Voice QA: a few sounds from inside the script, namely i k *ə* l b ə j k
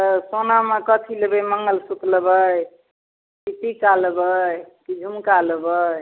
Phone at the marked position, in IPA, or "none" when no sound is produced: a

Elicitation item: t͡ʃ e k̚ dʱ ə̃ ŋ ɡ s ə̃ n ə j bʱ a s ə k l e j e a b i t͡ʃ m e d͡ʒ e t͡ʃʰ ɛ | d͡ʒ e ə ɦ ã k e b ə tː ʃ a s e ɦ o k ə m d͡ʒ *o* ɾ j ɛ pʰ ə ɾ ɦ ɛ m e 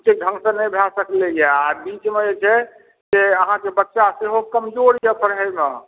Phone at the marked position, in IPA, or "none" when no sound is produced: o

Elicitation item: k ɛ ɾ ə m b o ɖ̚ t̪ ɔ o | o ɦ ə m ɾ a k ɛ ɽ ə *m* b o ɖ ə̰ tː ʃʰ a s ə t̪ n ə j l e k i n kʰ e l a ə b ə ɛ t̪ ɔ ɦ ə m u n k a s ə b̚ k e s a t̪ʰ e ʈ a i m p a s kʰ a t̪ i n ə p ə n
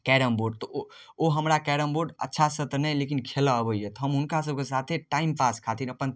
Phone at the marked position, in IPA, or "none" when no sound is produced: m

